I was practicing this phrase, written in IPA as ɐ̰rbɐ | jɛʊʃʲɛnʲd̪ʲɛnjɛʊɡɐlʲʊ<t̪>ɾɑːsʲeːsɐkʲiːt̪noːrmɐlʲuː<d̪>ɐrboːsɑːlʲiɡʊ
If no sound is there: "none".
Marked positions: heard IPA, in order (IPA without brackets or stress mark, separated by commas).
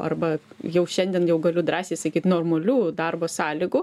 d̪, d̪